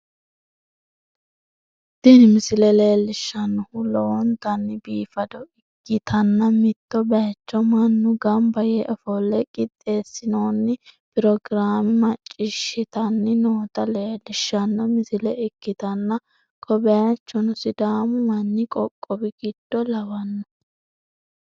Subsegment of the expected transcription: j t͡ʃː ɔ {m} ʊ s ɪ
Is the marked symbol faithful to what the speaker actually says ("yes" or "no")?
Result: no